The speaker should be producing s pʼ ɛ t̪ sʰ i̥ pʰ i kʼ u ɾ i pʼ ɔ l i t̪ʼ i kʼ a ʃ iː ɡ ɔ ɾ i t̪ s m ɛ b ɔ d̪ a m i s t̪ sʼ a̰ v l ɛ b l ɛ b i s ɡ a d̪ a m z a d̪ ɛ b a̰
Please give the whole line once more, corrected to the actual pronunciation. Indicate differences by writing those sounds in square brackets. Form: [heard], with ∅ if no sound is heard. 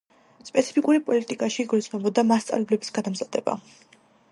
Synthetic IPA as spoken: s pʼ ɛ t̪ sʰ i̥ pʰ i kʼ u ɾ i pʼ ɔ l i t̪ʼ i kʼ a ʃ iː ɡ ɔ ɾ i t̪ s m ɛ b ɔ d̪ a m [a] s t̪ sʼ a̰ v l ɛ b l ɛ b i s ɡ a d̪ a m z a d̪ ɛ b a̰